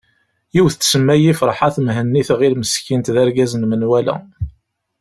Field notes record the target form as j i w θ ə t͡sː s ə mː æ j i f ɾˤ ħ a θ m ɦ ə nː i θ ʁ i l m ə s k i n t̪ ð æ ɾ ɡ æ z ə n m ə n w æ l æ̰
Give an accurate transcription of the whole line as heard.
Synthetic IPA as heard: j i w θ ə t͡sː s ə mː æ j i f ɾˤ ħ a θ m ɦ ə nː i θ ʁ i l m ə s k i n t̪ ð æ ɾ ɡ æ z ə n m ə n w æ l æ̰